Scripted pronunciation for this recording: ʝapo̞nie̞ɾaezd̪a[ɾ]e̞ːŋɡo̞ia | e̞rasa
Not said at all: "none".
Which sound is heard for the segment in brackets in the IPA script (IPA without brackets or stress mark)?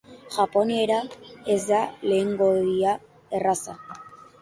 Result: l